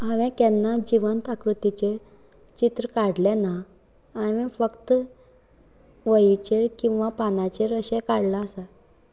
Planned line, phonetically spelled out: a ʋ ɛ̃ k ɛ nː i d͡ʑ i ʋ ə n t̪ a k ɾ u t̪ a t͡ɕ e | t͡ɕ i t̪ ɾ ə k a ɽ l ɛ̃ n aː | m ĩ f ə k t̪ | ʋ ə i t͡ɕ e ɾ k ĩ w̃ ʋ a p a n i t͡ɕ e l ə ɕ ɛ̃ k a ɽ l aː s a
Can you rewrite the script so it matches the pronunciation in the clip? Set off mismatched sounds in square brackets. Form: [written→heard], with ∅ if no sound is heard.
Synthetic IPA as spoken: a ʋ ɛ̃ k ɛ nː [i→a] d͡ʑ i ʋ ə n t̪ a k ɾ u t̪ [a→i] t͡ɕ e | t͡ɕ i t̪ ɾ ə k a ɽ l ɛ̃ n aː | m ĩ f ə k t̪ | ʋ ə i t͡ɕ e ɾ k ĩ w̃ ʋ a p a n [i→a] t͡ɕ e [l→ɾ] ə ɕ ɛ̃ k a ɽ l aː s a